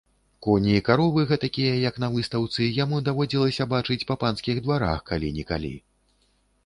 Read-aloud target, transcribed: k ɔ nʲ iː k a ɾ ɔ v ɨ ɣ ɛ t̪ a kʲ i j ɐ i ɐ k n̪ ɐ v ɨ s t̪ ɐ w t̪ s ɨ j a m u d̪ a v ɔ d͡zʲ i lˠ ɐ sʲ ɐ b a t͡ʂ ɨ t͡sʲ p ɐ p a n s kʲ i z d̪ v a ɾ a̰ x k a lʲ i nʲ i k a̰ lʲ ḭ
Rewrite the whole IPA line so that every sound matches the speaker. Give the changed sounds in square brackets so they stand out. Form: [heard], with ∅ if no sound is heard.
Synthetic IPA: k ɔ nʲ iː k a ɾ ɔ v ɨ ɣ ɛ t̪ a kʲ i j ɐ [j] ɐ k n̪ ɐ v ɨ s t̪ ɐ w t̪ s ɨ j a m u d̪ a v ɔ d͡zʲ i lˠ ɐ sʲ ɐ b a t͡ʂ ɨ t͡sʲ p ɐ p a n s kʲ i [ɣ] d̪ v a ɾ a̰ x k a lʲ i nʲ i k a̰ lʲ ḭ